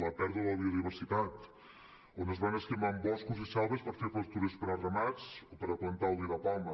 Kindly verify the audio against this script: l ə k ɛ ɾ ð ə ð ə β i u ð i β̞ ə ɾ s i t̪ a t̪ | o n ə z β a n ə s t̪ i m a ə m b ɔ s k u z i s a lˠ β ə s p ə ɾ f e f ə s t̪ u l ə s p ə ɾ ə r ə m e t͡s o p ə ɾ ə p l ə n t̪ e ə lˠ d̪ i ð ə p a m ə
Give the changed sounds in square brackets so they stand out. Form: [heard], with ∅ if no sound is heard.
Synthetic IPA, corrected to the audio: l ə [p] ɛ ɾ ð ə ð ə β i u ð i β̞ ə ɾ s i t̪ a t̪ | o n ə z β a n ə s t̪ i m a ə m b ɔ s k u z i s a lˠ β ə s p ə ɾ f e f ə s t̪ u [ɾ] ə s p ə ɾ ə r ə m [a] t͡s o p ə ɾ ə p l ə n t̪ [a] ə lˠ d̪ i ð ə p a m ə